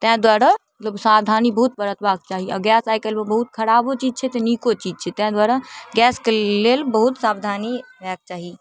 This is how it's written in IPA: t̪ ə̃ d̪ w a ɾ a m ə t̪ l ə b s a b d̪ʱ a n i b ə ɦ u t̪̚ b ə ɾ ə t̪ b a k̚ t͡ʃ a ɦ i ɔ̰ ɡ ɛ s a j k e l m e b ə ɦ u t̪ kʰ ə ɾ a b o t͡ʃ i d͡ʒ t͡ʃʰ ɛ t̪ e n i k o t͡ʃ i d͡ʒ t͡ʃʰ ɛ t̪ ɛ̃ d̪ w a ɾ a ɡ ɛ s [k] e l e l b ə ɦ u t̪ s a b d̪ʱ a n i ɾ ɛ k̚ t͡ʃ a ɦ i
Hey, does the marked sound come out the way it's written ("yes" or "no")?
yes